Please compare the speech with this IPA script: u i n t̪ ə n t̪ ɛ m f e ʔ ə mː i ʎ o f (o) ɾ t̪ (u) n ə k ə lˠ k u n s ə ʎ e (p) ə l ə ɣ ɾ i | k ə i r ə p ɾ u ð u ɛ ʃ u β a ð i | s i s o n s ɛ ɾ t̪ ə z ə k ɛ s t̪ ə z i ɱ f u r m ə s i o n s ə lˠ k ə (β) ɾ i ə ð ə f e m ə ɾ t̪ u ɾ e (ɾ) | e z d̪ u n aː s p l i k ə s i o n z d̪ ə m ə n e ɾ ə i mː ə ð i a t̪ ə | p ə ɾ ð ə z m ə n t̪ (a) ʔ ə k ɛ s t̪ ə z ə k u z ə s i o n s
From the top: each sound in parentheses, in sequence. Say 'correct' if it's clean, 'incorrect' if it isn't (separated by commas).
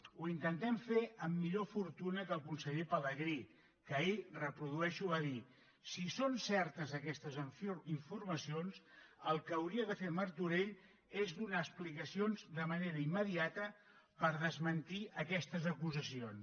incorrect, correct, correct, incorrect, incorrect, incorrect